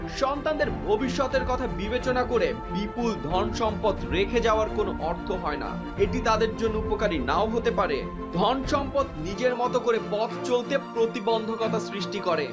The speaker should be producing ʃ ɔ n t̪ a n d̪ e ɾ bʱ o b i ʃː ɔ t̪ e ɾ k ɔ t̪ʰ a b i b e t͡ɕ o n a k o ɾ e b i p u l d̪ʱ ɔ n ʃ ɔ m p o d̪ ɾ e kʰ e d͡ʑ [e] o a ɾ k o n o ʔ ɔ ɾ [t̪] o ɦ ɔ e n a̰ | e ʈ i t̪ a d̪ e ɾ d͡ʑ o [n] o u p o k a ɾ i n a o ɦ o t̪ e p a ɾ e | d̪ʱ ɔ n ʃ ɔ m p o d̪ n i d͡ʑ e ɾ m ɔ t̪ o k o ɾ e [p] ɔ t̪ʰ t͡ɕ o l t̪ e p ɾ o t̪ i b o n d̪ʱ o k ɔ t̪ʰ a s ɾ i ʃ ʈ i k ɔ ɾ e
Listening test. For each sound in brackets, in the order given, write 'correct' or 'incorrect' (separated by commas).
incorrect, incorrect, incorrect, correct